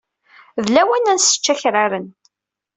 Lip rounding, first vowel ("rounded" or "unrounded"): unrounded